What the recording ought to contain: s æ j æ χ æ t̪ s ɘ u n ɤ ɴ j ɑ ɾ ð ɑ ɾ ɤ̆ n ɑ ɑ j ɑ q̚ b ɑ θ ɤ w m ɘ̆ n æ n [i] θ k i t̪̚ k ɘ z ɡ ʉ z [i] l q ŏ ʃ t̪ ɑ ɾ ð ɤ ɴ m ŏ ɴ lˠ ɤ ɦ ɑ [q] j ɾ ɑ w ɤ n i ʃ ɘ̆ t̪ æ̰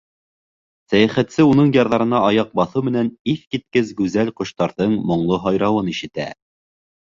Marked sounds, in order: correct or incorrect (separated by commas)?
correct, incorrect, incorrect